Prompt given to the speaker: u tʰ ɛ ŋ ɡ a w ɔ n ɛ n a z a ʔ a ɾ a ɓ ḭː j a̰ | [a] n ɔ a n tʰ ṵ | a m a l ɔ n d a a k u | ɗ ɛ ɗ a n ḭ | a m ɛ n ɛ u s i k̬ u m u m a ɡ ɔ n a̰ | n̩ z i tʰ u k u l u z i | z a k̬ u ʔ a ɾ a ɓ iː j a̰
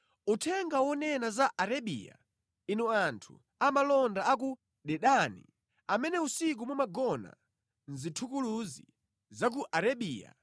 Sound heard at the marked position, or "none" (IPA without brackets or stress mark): i